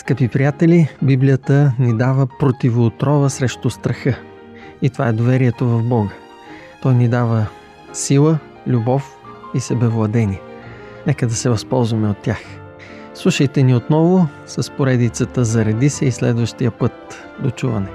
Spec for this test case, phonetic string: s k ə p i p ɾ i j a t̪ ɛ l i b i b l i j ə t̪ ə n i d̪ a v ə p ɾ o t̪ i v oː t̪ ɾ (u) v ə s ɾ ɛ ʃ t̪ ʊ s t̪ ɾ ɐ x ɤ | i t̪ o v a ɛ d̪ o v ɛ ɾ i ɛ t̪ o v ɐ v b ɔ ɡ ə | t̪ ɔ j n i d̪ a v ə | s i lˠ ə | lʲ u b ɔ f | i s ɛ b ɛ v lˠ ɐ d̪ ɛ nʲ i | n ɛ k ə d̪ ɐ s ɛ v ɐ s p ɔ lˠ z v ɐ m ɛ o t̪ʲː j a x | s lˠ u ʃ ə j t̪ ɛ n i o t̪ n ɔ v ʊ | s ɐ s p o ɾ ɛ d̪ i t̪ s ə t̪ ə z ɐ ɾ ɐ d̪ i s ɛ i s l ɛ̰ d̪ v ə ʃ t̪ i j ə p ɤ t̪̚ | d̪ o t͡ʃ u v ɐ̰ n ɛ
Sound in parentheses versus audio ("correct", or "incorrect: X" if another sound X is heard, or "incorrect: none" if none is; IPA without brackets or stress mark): incorrect: ɔ